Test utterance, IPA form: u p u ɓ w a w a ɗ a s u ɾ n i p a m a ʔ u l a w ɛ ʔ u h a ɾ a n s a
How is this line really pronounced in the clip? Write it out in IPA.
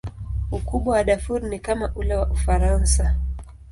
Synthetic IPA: u k u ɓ w a w a ɗ a f u ɾ n i k a m a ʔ u l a w a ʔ u f a ɾ a n s a